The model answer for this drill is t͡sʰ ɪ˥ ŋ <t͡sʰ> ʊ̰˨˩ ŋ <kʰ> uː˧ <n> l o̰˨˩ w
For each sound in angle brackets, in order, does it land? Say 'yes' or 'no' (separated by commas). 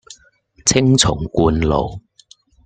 yes, no, yes